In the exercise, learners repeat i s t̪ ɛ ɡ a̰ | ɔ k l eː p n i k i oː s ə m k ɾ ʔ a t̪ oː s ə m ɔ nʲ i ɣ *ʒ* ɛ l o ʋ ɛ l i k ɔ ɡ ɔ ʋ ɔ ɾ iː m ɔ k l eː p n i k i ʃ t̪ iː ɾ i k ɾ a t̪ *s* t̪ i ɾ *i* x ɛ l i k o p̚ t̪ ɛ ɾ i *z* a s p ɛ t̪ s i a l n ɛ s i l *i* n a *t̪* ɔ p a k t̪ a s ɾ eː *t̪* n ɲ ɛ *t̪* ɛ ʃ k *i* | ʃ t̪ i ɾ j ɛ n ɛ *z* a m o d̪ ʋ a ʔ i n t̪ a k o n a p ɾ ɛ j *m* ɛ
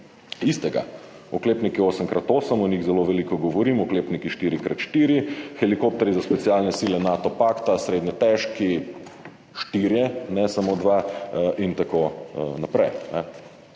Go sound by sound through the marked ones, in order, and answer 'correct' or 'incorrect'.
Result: incorrect: z, incorrect: ʃ, correct, correct, incorrect: ɛ, correct, incorrect: d̪, correct, correct, incorrect: s, incorrect: n

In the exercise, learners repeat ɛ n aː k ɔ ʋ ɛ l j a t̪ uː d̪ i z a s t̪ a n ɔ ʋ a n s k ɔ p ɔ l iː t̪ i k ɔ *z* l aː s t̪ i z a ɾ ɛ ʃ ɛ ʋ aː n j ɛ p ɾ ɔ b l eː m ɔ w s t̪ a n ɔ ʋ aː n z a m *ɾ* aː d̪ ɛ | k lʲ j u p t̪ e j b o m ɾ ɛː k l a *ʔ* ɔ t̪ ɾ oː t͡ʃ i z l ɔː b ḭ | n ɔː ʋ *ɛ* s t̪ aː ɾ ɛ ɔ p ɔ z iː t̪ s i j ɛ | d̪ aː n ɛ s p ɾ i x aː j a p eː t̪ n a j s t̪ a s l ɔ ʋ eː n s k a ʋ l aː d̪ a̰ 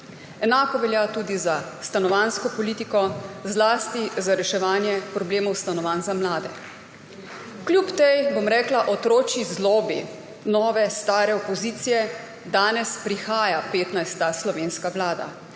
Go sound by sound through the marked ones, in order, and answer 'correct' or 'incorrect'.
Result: correct, incorrect: l, correct, correct

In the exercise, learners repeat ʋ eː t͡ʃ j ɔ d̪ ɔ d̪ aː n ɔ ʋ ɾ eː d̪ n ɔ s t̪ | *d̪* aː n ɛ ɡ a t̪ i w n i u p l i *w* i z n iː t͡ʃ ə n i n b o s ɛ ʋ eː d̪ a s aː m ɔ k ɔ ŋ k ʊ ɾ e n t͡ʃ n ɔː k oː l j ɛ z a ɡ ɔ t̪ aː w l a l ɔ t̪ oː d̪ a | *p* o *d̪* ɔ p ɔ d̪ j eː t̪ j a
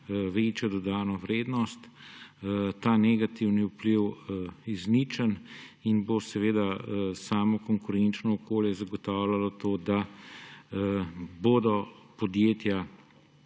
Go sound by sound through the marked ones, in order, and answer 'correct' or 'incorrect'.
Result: incorrect: t̪, correct, incorrect: b, correct

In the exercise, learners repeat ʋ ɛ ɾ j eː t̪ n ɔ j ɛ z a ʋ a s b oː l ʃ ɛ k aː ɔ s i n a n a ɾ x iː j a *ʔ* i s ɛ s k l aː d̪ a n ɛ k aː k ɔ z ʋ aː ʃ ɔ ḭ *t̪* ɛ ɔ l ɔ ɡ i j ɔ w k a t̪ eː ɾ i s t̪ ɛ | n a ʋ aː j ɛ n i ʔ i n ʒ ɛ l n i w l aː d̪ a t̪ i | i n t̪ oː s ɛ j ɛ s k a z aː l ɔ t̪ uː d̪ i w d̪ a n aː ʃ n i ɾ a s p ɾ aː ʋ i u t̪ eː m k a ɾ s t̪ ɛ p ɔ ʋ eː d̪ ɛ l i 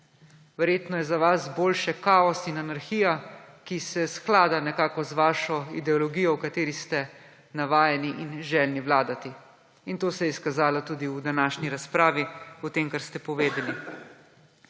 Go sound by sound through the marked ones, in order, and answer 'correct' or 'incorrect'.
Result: incorrect: k, incorrect: d̪

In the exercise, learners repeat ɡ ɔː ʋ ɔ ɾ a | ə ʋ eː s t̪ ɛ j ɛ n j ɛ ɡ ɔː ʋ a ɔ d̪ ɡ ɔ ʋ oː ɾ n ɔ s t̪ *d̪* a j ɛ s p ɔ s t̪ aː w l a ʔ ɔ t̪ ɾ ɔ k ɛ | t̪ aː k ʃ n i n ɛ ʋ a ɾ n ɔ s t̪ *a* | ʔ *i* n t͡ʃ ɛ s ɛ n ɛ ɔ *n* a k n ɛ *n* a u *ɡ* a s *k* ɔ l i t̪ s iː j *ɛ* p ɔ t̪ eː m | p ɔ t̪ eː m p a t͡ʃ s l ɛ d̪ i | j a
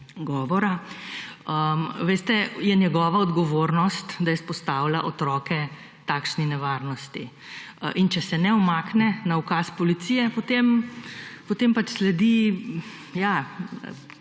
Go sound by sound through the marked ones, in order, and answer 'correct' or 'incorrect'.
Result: correct, incorrect: i, correct, incorrect: m, correct, incorrect: k, incorrect: p, correct

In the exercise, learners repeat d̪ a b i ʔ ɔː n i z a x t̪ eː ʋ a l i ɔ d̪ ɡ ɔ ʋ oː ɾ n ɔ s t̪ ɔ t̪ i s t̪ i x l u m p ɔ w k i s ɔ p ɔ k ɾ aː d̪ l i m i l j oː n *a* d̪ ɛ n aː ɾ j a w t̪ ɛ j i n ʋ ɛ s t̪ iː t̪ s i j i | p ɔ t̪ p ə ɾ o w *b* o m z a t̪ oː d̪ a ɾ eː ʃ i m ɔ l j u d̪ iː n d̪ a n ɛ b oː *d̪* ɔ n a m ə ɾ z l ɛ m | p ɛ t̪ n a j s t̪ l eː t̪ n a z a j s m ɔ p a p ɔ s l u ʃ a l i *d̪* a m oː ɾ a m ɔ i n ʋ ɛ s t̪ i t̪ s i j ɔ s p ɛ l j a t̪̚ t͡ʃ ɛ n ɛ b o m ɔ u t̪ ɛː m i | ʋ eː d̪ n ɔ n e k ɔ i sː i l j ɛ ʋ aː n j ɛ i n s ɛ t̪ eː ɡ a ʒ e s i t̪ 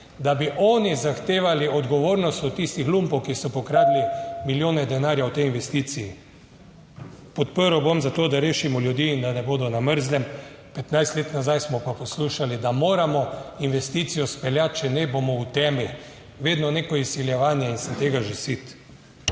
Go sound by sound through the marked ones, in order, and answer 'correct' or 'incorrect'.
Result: incorrect: ɛ, correct, correct, correct

